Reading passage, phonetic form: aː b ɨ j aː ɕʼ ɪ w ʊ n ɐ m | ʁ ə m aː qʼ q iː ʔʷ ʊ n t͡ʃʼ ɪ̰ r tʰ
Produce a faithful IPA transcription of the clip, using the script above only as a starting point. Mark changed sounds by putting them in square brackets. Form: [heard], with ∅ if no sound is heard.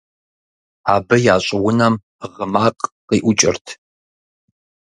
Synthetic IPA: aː b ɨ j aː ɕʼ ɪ w ʊ n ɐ m | ʁ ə m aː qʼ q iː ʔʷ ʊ [∅] t͡ʃʼ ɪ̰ r tʰ

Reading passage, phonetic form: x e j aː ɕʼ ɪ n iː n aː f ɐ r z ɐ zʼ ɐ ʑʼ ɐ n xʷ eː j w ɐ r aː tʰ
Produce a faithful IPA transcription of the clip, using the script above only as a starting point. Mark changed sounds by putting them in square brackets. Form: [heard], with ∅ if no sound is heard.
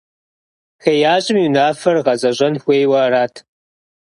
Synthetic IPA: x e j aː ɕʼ ɪ [m] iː n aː f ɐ r [ʁ] ɐ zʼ ɐ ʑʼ ɐ n xʷ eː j w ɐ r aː tʰ

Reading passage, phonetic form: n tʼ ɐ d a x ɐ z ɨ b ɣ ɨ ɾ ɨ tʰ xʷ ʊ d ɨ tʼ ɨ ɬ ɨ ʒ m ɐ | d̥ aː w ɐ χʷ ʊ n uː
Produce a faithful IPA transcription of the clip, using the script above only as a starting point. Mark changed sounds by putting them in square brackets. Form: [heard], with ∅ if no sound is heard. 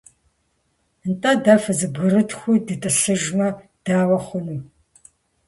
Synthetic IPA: n tʼ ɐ d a [f] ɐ z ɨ b ɣ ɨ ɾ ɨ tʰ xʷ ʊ d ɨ tʼ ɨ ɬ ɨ ʒ m ɐ | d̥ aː w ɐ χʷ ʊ n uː

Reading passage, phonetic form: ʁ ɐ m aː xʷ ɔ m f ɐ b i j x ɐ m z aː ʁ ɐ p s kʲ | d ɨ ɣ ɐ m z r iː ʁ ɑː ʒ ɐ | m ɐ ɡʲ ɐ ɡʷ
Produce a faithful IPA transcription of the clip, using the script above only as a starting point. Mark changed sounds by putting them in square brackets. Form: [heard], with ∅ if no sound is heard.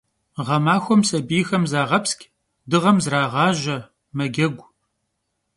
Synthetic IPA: ʁ ɐ m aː xʷ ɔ m [s] ɐ b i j x ɐ m z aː ʁ ɐ p s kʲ | d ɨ [ʁ] ɐ m z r [aː] ʁ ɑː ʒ ɐ | m ɐ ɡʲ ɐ ɡʷ

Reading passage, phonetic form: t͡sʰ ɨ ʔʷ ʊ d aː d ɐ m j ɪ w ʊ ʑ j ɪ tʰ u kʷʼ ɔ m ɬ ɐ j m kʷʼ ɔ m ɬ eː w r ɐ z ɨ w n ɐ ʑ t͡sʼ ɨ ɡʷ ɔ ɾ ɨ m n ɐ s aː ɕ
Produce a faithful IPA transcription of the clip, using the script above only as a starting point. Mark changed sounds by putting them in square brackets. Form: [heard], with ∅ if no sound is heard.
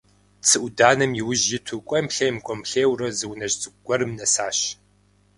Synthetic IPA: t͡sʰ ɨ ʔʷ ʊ d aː [n] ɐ m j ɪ w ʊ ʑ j ɪ tʰ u kʷʼ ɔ m ɬ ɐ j m kʷʼ ɔ m ɬ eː w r ɐ z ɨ w n ɐ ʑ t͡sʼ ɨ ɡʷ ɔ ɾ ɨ m n ɐ s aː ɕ

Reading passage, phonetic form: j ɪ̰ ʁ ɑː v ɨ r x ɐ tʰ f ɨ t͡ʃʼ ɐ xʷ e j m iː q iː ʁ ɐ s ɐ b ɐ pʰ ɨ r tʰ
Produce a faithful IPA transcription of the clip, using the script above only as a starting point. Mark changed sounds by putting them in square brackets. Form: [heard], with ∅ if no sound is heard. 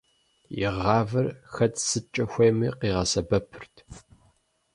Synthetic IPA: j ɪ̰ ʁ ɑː v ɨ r x ɐ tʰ [s] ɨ t͡ʃʼ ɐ xʷ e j m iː q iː ʁ ɐ s ɐ b ɐ pʰ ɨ r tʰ

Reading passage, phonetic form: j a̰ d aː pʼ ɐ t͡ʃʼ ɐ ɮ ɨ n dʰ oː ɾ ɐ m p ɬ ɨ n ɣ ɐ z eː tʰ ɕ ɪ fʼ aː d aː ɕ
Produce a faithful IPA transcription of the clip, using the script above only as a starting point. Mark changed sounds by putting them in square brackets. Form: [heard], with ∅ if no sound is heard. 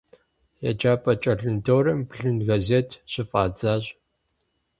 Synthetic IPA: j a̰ [d͡ʒ] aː pʼ ɐ t͡ʃʼ ɐ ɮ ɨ n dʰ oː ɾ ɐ m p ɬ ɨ n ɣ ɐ z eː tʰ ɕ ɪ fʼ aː [d͡z] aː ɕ

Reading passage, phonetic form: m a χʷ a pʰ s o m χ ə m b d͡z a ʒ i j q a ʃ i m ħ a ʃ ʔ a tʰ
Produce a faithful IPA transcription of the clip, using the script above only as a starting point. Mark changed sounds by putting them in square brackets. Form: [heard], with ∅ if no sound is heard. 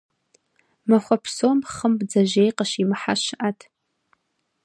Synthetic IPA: m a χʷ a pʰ s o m χ ə m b d͡z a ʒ [e] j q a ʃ i m ħ a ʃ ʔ a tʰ

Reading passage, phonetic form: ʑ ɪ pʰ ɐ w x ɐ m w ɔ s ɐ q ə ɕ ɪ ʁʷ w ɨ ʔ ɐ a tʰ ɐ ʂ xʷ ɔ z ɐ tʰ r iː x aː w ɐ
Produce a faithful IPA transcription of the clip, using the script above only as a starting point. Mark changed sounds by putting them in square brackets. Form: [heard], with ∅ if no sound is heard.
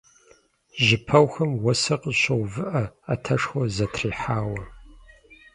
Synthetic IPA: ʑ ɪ pʰ ɐ w x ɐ m w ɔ s ɐ q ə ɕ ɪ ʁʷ [v] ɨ ʔ ɐ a tʰ ɐ ʂ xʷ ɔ z ɐ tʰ r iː [ħ] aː w ɐ

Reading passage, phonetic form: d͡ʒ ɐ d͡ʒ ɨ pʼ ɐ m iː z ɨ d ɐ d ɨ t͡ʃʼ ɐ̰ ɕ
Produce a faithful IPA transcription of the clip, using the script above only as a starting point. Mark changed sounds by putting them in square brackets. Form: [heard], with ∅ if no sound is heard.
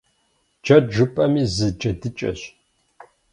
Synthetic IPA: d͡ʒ ɐ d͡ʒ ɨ pʼ ɐ m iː z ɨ [d͡ʒ] ɐ d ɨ t͡ʃʼ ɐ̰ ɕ

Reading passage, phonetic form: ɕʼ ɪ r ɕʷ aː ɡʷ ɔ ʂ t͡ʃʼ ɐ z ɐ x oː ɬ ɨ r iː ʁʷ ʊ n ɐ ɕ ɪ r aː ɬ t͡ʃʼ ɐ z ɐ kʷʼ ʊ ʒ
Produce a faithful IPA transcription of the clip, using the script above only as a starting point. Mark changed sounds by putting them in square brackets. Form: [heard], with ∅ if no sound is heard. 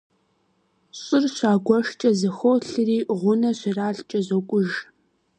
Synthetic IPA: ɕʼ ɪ r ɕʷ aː ɡʷ ɔ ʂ t͡ʃʼ ɐ z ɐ x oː ɬ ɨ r iː ʁʷ ʊ n ɐ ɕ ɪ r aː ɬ t͡ʃʼ ɐ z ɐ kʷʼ ʊ ʒ

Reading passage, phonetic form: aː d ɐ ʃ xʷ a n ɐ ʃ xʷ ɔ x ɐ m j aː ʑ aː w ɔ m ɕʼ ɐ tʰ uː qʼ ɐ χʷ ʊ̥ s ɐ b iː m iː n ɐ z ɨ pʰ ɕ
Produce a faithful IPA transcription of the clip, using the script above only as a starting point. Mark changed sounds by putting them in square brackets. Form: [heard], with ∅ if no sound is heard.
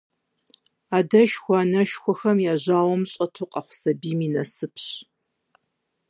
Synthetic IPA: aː d ɐ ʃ xʷ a n ɐ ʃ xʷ ɔ x ɐ m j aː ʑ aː w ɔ m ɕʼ ɐ tʰ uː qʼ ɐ χʷ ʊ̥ s ɐ b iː m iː n ɐ [s] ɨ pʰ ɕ

